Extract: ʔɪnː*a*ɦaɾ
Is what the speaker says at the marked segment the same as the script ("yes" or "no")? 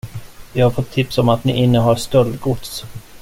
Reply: no